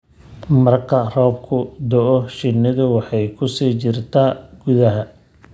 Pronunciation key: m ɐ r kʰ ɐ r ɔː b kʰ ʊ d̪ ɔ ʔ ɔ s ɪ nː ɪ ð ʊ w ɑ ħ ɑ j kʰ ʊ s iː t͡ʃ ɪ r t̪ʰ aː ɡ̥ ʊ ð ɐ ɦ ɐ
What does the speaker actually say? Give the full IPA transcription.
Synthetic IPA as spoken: m ɐ r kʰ ɐ r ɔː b kʰ ʊ d̪ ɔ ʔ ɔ ʃ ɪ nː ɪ ð ʊ w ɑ ħ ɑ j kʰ ʊ s iː t͡ʃ ɪ r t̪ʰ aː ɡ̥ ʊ ð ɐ ɦ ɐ